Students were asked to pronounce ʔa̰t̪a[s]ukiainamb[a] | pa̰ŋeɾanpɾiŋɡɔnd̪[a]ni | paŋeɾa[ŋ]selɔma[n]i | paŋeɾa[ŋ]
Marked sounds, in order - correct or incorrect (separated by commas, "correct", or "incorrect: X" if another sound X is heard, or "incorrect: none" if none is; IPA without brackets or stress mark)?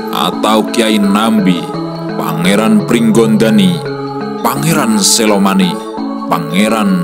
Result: incorrect: none, incorrect: i, correct, incorrect: n, correct, incorrect: n